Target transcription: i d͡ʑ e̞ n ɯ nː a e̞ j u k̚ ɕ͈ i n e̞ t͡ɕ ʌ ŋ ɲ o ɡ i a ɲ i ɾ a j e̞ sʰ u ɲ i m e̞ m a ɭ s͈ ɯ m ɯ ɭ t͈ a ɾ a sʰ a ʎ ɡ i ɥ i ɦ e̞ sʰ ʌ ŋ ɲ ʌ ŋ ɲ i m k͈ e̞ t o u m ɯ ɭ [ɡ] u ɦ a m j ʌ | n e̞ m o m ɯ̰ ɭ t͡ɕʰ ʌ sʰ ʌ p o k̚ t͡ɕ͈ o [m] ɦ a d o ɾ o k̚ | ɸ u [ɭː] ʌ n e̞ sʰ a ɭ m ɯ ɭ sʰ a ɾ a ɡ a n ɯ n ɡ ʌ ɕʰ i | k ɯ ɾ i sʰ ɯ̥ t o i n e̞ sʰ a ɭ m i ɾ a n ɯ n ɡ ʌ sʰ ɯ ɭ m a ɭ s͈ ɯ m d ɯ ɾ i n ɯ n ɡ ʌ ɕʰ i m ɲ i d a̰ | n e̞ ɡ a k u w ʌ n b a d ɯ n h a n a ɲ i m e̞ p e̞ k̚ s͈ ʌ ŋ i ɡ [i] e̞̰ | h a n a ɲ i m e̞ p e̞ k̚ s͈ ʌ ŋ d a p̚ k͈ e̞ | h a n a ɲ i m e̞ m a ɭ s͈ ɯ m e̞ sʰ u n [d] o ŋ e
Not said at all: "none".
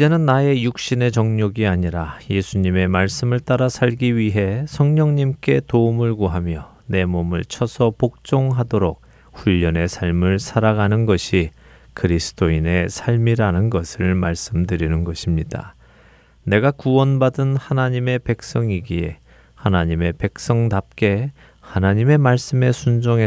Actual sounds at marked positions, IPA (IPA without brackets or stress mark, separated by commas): ɡ, ŋ, ʎː, i, d͡ʑ